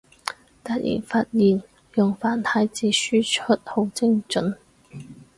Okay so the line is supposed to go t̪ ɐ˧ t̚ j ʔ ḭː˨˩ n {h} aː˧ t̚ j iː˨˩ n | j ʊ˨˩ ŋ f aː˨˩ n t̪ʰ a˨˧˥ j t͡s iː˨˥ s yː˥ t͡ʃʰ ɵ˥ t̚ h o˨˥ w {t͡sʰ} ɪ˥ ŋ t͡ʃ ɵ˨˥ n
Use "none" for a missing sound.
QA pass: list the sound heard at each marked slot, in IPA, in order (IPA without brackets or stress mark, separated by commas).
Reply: f, t͡s